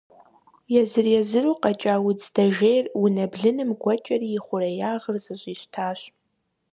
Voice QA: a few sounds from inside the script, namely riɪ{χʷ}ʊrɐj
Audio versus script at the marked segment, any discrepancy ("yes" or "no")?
no